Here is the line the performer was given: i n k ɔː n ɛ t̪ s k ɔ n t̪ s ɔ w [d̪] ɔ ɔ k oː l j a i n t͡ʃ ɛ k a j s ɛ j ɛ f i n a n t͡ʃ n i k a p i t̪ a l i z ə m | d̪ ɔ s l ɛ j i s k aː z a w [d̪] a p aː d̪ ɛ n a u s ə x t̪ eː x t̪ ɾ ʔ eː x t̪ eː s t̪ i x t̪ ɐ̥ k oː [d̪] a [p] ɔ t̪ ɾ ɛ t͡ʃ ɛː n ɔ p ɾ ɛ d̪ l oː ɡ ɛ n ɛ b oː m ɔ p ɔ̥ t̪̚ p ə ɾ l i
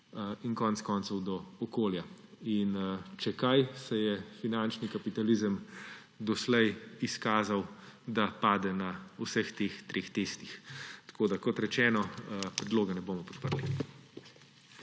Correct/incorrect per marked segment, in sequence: correct, correct, correct, incorrect: k

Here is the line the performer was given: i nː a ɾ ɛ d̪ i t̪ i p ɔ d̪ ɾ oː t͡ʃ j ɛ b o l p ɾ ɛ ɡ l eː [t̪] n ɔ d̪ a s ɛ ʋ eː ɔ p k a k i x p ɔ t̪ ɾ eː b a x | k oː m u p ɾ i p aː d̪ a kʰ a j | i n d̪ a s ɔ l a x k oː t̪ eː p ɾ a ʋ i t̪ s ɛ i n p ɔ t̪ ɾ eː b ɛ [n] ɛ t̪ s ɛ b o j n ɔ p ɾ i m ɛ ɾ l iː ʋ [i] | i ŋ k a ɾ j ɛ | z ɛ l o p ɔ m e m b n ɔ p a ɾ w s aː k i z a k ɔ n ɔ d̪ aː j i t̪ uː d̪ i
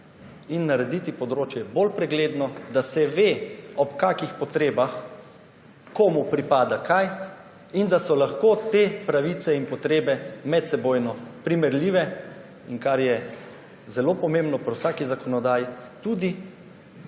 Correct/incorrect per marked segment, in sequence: incorrect: d̪, incorrect: m, incorrect: ɛ

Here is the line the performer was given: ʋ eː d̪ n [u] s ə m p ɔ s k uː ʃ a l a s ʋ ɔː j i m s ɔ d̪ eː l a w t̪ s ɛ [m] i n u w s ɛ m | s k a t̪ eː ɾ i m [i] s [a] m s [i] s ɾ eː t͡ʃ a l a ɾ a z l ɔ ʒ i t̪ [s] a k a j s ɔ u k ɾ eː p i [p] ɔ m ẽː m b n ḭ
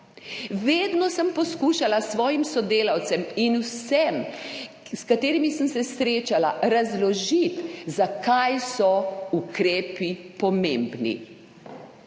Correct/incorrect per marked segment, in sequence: incorrect: ɔ, correct, correct, incorrect: ə, incorrect: ɛ, incorrect: z, correct

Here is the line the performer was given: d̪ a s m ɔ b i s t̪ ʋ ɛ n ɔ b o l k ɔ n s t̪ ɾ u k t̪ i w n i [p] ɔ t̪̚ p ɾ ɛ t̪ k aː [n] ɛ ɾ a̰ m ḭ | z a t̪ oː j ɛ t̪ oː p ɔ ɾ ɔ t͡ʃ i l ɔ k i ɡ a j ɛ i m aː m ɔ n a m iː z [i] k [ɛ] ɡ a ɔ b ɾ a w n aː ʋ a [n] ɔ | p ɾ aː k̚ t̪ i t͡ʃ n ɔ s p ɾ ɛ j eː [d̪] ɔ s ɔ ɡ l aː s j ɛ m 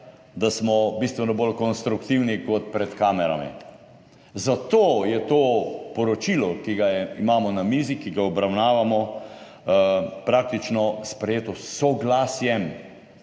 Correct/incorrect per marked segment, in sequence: incorrect: k, incorrect: m, correct, incorrect: i, incorrect: m, incorrect: t̪

